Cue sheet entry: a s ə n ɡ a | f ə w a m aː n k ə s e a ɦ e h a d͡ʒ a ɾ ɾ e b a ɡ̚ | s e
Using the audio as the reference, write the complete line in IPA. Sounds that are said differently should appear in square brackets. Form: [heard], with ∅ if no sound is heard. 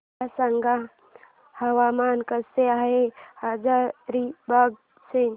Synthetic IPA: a s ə [ŋ] ɡ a | [h] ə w a m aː n k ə s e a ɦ e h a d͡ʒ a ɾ ɾ [i] b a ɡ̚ | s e